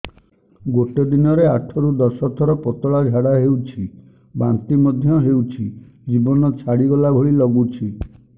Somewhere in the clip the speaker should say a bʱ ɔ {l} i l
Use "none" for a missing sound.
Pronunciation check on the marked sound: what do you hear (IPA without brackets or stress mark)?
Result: ɭ